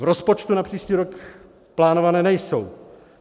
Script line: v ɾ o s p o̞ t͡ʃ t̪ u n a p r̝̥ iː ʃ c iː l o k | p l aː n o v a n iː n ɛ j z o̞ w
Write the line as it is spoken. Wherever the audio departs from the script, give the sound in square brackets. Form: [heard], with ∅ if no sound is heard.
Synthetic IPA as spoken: v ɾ o s p o̞ t͡ʃ t̪ u n a p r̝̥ iː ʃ c iː [ɾ] o k | p l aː n o v a n [ɛː] n ɛ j [s] o̞ w

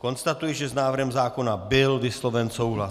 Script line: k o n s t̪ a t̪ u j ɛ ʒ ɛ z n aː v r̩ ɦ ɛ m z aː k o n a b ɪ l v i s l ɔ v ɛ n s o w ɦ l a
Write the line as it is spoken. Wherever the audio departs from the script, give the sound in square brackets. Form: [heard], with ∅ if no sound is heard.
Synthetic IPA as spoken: k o n s t̪ a t̪ u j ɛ ʒ ɛ z n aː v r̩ ɦ ɛ m z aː k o n a b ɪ l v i s l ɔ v ɛ n s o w ɦ l a

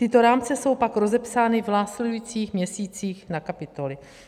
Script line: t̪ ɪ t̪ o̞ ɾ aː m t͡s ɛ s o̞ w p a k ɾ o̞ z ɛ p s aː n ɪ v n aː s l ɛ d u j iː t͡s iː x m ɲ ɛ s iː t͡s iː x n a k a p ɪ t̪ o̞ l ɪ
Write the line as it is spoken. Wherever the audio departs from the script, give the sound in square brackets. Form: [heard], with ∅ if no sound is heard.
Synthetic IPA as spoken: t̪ ɪ t̪ o̞ ɾ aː m t͡s ɛ s o̞ w p a k ɾ o̞ z ɛ p s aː n ɪ v n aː s l ɛ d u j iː t͡s iː x m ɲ ɛ s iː t͡s iː x n a k a p ɪ t̪ o̞ l ɪ

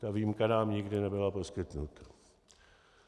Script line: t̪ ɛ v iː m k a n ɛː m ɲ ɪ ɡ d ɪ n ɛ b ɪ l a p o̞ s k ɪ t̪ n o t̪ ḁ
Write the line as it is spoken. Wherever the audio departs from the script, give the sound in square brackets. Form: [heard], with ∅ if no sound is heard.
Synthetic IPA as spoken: t̪ [a] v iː m k a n [aː] m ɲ ɪ ɡ d ɪ n ɛ b ɪ l a p o̞ s k ɪ t̪ n [u] t̪ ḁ

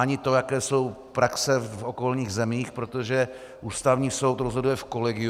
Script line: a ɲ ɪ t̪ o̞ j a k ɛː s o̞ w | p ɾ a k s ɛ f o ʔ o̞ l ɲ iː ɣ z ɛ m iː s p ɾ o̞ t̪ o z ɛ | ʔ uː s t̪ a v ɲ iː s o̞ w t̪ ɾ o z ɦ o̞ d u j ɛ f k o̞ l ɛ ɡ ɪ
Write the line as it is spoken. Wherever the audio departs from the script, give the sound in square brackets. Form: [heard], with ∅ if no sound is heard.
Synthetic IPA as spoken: a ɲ ɪ t̪ o̞ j a k ɛː s o̞ w | p ɾ a k s ɛ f o [k] o̞ l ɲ iː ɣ z ɛ m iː [x] p ɾ o̞ t̪ o [ʒ] ɛ | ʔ uː s t̪ a v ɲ iː s o̞ w t̪ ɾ o z ɦ o̞ d u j ɛ f k o̞ l ɛ ɡ ɪ

